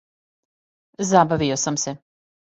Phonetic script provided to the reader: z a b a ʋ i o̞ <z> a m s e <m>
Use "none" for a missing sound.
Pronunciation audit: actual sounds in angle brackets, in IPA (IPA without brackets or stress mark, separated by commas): s, none